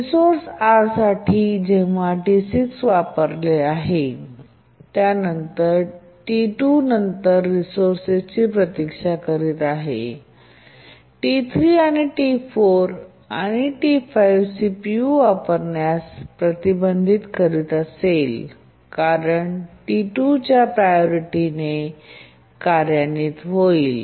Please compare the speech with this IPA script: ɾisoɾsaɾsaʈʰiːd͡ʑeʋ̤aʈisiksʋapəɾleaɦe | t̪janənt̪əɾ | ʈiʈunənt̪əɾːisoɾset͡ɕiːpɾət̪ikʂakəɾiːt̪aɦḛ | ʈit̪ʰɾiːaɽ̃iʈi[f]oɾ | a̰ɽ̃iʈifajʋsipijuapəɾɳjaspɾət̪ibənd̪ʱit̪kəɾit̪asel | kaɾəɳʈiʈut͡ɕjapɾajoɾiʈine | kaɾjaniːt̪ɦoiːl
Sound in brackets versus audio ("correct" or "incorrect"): correct